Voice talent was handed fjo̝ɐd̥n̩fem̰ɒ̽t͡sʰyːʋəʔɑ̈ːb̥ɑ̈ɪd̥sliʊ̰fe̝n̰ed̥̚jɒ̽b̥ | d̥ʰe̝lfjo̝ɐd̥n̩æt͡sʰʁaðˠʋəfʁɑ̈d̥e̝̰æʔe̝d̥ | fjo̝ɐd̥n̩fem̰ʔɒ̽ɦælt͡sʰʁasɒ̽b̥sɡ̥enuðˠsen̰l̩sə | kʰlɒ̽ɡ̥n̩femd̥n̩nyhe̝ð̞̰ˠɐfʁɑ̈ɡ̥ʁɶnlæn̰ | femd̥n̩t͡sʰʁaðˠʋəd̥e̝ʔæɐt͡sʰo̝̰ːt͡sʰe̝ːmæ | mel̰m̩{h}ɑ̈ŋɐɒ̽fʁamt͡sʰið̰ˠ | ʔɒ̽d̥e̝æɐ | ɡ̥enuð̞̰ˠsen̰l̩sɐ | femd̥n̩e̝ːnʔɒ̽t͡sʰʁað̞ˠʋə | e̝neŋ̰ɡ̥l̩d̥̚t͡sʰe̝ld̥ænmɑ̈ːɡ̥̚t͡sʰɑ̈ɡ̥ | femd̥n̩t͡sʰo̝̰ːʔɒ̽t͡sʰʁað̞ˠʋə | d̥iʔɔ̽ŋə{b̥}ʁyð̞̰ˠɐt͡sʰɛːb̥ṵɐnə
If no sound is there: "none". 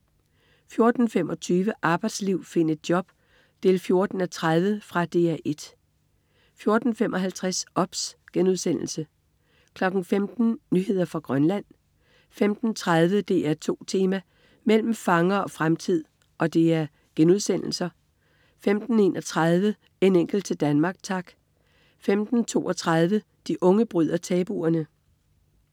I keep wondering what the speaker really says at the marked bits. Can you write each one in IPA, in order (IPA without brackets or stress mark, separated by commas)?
f, b̥